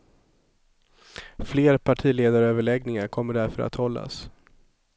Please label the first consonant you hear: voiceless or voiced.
voiceless